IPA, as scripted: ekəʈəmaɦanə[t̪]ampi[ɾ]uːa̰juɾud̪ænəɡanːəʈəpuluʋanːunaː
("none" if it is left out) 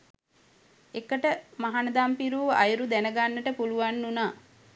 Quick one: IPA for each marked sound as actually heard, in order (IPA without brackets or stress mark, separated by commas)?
d̪, ɾ